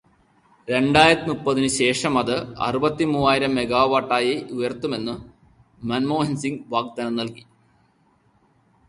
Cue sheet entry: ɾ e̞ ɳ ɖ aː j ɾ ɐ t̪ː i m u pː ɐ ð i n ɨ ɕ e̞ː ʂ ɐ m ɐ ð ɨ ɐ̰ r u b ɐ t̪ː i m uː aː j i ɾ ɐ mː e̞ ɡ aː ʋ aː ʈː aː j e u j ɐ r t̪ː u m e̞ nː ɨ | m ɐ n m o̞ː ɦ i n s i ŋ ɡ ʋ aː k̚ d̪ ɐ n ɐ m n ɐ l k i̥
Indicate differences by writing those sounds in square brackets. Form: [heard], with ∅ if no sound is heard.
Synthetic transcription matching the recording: ɾ e̞ ɳ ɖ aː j ɾ ɐ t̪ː i m u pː ɐ ð i n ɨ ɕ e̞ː ʂ ɐ m ɐ ð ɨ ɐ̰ r u b ɐ t̪ː i m uː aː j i ɾ ɐ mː e̞ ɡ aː ʋ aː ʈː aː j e u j ɐ r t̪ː u m e̞ nː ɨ | m ɐ n m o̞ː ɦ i n s i ŋ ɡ ʋ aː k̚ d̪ ɐ n ɐ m n ɐ l k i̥